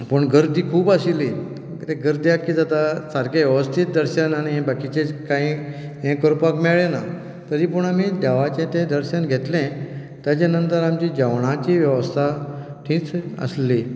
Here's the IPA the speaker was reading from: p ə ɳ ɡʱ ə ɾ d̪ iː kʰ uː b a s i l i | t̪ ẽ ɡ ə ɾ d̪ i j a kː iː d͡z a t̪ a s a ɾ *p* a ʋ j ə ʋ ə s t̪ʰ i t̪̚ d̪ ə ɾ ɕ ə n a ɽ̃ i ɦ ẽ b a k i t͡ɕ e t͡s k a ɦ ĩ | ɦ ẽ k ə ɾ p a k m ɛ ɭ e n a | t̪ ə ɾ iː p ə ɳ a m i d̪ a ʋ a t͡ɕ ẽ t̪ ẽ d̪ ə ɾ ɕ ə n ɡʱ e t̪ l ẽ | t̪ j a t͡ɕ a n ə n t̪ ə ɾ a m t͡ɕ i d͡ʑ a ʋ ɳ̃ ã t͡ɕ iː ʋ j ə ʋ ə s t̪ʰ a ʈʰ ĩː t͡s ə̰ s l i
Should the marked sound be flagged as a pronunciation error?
yes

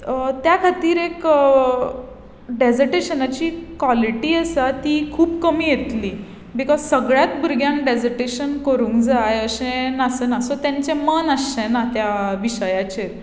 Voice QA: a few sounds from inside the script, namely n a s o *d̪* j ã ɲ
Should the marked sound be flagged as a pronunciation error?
yes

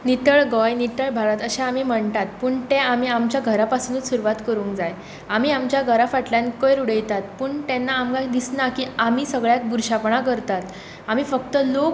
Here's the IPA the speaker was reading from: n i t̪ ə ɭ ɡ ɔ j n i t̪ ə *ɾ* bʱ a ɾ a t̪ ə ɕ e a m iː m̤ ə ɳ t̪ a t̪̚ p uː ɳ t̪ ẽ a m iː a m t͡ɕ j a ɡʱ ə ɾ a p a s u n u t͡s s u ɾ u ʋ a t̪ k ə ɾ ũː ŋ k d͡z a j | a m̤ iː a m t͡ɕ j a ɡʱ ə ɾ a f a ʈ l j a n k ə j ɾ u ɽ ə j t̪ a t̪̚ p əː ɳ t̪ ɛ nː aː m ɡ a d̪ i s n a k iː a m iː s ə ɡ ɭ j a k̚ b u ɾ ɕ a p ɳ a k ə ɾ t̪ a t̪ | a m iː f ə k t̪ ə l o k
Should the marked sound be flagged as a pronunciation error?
yes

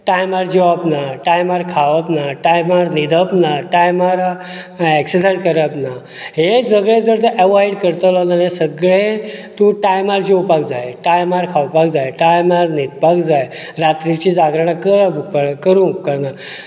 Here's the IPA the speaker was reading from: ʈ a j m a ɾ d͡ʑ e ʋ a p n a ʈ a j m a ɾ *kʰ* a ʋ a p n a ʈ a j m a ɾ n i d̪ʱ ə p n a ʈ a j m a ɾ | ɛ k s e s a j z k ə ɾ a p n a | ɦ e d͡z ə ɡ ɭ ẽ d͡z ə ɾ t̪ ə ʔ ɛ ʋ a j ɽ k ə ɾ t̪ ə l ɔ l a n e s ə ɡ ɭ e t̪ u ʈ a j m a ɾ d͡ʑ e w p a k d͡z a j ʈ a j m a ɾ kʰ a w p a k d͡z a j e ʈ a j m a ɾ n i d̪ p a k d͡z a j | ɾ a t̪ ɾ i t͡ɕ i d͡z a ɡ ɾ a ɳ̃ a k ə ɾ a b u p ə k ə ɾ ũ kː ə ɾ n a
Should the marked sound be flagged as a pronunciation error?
no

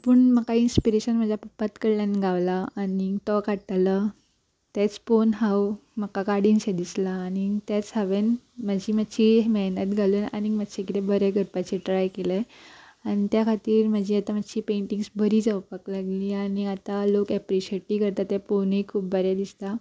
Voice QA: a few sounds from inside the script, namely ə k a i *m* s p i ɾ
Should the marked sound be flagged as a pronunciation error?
yes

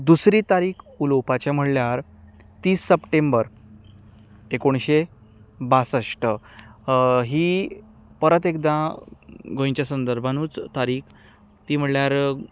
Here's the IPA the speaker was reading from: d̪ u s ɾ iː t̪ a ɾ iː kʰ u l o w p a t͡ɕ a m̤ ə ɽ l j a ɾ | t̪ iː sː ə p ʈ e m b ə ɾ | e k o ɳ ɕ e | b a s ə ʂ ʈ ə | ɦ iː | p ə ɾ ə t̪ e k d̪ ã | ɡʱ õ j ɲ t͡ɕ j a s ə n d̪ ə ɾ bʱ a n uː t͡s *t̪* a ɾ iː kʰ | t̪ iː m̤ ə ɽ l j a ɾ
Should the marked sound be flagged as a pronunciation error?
no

